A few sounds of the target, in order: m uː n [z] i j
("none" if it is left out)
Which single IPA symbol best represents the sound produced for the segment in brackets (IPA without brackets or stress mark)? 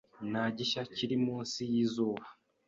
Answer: s